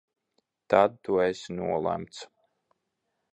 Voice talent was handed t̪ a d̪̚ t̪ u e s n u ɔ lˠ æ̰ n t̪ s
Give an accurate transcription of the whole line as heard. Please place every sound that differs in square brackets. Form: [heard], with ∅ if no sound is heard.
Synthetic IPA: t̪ a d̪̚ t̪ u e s n u ɔ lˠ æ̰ [m] t̪ s